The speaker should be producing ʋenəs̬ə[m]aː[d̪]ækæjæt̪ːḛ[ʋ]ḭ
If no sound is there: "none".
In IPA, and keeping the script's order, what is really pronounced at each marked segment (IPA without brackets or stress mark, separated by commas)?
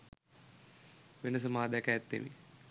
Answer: m, d̪, ʋ